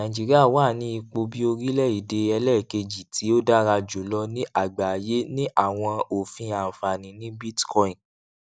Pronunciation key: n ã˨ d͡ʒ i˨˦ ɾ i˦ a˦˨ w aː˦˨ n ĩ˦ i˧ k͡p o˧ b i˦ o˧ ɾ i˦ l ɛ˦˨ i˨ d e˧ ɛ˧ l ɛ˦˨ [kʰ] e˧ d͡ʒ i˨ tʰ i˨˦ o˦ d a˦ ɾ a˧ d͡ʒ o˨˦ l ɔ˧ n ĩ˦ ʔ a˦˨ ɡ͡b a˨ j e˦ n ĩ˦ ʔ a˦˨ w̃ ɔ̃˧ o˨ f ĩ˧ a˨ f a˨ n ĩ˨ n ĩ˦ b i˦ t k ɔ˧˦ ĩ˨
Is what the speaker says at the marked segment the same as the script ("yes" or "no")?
no